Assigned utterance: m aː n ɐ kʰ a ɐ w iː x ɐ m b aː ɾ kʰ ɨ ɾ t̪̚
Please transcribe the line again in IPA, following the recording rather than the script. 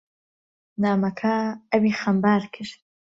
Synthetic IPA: n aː m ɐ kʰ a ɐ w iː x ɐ m b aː ɾ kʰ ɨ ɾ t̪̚